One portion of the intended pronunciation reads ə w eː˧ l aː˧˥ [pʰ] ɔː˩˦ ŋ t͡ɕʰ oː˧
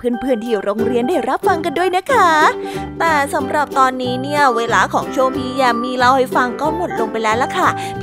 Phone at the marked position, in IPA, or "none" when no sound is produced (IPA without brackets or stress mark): kʰ